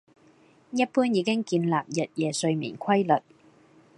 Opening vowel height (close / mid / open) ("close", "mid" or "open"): open